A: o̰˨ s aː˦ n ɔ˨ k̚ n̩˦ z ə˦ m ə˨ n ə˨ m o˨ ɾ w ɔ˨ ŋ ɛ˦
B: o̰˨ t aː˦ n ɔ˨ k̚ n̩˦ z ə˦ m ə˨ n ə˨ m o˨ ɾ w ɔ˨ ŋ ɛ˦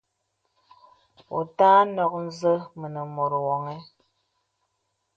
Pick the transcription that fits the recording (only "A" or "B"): B